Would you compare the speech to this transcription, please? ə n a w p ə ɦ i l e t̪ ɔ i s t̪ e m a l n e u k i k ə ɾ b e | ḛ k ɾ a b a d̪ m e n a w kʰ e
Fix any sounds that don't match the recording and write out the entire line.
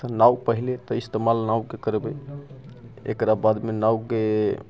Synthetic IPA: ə n a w p ə ɦ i l e t̪ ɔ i s t̪ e m a l n a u k e k ə ɾ b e | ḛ k ɾ a b a d̪ m e n a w k e

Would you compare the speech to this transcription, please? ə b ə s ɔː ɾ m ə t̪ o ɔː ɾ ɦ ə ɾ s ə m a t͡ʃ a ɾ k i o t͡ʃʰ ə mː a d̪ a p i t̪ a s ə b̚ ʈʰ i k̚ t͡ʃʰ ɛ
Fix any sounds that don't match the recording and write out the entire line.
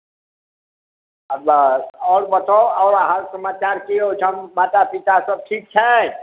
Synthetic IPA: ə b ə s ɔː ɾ b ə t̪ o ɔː ɾ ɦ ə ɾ s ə m a t͡ʃ a ɾ k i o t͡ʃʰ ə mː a t̪ a p i t̪ a s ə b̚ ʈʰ i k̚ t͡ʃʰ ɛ

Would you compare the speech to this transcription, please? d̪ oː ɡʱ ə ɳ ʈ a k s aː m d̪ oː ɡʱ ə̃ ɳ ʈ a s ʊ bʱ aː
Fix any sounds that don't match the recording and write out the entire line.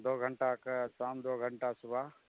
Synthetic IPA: d̪ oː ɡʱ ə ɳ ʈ a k s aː m d̪ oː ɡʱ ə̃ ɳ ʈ a s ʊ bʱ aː

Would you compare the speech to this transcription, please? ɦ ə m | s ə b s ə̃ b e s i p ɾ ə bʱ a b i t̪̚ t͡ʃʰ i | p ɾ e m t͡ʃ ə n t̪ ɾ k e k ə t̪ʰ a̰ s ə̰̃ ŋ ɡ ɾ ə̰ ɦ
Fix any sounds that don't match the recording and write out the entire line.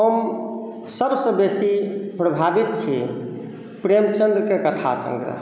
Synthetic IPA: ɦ ə m | s ə b s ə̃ b e s i p ɾ ə bʱ a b i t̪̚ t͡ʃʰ i | p ɾ e m t͡ʃ ə n d̪ ɾ k e k ə t̪ʰ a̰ s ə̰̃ ŋ ɡ ɾ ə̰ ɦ

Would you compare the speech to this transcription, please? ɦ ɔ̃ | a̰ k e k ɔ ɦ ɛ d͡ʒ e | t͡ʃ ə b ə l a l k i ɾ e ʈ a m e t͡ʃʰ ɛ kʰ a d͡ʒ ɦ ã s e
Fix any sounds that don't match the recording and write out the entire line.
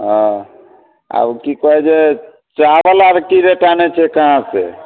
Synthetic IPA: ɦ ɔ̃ | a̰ k i k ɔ ɦ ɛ d͡ʒ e | t͡ʃ a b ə l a ɾ k i ɾ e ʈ a n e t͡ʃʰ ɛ k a ɦ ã s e

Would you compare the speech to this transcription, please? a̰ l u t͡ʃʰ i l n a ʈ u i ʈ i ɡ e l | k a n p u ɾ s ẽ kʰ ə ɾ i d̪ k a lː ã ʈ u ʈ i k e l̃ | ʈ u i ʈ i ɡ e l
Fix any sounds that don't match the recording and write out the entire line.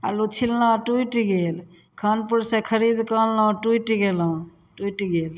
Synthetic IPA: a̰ l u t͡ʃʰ i l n a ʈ u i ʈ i ɡ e l | kʰ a n p u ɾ s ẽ kʰ ə ɾ i d̪ k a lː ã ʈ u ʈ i ɡ e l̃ | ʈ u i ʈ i ɡ e l

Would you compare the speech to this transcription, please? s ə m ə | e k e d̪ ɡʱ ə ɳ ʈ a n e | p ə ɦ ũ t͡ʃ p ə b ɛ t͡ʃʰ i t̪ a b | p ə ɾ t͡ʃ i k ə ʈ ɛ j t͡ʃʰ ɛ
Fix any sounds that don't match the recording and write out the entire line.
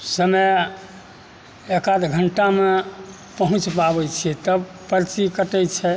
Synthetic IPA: s ə m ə | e k a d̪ ɡʱ ə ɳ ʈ a m e | p ə ɦ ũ t͡ʃ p a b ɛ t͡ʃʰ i t̪ ə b | p ə ɾ t͡ʃ i k ə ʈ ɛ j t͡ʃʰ ɛ

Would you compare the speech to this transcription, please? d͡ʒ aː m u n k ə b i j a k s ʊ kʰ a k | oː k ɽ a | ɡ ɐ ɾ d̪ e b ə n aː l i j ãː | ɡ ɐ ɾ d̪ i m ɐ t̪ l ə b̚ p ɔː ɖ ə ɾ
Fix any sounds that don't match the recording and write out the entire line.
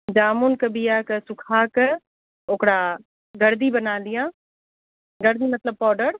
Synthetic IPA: d͡ʒ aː m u n k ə b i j a k s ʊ kʰ a k | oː k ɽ a | ɡ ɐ ɾ d̪ i b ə n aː l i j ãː | ɡ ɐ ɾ d̪ i m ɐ t̪ l ə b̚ p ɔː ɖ ə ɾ

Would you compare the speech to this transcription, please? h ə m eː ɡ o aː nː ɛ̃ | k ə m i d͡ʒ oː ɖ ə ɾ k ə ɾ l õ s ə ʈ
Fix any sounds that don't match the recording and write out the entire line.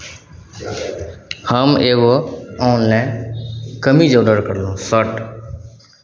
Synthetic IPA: h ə m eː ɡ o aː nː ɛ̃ | k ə m i d͡ʒ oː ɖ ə ɾ k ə ɾ l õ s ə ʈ

